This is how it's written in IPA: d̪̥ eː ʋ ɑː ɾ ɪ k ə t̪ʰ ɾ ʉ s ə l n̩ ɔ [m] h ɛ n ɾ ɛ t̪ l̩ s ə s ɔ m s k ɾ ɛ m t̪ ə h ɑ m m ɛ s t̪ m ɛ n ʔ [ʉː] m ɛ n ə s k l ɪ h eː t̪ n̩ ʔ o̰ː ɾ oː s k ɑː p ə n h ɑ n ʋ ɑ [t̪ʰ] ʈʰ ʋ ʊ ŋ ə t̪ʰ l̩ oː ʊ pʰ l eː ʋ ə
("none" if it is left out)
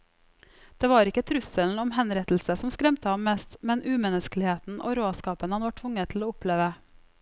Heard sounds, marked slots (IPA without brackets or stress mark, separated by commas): m, ʉː, none